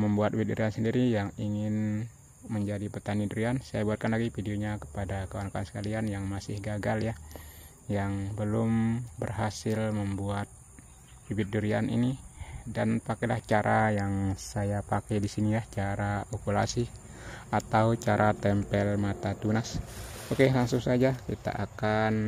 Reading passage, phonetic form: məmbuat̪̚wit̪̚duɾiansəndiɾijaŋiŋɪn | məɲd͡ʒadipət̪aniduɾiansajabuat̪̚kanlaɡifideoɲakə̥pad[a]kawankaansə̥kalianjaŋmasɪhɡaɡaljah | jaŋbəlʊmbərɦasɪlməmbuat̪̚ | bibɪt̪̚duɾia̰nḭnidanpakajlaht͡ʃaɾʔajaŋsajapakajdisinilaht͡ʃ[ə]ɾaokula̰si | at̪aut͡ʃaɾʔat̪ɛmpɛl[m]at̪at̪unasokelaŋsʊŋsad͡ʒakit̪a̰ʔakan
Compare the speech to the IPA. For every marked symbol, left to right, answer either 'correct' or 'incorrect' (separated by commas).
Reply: correct, incorrect, correct